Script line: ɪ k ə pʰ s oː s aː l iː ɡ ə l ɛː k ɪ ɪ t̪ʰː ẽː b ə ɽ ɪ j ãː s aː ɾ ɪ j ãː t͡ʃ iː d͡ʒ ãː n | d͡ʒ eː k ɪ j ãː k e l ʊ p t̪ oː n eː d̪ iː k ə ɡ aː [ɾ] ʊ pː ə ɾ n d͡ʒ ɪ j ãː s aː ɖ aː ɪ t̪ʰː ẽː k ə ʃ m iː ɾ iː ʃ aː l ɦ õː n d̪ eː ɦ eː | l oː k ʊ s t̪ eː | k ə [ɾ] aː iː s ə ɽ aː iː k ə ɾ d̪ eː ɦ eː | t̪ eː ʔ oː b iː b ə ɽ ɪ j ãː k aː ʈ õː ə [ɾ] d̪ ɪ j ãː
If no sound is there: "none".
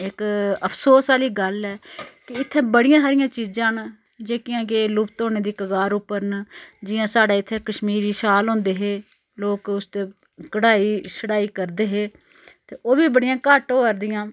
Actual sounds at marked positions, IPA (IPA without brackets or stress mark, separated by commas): ɾ, ɽ, ɾ